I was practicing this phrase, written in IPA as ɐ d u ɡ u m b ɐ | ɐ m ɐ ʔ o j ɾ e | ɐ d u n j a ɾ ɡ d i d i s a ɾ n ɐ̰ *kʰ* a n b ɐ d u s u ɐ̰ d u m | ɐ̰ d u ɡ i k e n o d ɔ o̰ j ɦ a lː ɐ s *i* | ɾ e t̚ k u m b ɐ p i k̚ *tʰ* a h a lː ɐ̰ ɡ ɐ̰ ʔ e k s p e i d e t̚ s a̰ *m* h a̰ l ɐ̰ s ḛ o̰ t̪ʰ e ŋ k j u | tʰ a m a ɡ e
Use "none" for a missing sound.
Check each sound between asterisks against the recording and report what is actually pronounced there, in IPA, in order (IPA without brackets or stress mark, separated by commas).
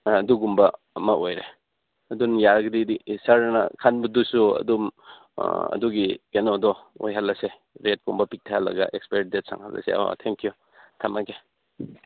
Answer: kʰ, e, tʰ, ŋ